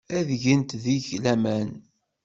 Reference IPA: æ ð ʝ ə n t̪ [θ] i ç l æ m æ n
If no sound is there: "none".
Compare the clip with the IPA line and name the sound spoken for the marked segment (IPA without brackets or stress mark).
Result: ð